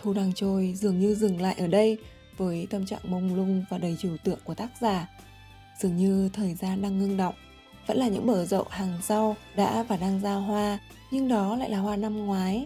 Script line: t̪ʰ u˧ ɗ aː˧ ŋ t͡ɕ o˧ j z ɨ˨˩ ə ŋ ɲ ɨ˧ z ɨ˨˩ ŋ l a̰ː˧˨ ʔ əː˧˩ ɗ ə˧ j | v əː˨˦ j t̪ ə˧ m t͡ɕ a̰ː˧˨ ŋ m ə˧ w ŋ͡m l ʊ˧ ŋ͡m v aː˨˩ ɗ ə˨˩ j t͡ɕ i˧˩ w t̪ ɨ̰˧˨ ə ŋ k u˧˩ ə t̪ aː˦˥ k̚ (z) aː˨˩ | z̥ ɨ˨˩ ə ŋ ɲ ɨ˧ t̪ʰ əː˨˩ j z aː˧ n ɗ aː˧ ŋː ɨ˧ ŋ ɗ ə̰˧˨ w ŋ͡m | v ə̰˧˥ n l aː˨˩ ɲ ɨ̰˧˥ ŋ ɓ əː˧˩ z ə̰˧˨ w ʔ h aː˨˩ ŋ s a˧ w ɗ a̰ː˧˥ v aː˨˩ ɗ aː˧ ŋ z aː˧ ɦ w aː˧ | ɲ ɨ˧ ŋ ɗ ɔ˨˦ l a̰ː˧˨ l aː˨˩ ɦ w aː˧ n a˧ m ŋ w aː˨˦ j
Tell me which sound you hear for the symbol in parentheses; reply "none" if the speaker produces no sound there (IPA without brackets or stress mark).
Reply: z